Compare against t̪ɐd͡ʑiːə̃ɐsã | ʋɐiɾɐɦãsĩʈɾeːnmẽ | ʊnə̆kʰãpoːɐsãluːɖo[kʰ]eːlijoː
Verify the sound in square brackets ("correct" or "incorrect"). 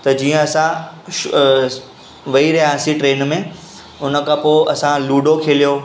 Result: correct